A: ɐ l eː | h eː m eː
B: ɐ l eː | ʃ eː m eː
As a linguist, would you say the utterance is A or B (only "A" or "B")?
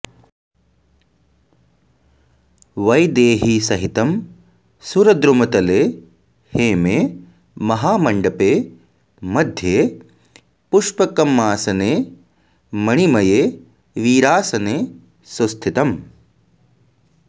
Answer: A